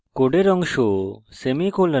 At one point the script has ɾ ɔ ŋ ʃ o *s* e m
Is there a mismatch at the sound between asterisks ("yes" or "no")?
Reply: no